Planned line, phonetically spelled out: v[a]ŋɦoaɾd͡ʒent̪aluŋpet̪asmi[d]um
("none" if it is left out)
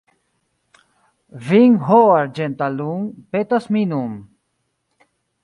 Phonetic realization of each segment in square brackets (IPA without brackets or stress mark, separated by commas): i, n